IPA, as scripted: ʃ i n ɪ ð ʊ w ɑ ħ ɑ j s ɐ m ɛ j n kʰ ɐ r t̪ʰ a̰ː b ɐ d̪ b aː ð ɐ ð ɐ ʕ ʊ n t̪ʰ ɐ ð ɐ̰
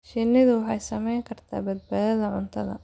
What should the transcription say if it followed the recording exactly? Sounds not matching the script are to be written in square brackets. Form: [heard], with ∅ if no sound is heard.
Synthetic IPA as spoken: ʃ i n ɪ ð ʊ w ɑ ħ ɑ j s ɐ m ɛ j [ŋ] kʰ ɐ r t̪ʰ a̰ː b ɐ d̪ b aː ð ɐ ð ɐ ʕ ʊ n t̪ʰ ɐ ð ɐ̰